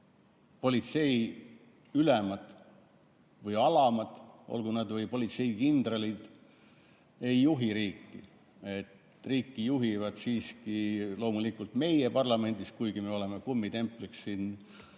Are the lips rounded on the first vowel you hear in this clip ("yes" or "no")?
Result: yes